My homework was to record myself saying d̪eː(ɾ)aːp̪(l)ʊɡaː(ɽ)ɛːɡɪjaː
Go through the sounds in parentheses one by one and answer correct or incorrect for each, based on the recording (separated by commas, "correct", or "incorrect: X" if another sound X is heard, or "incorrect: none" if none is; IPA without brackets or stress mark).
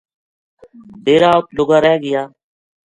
correct, correct, incorrect: ɾ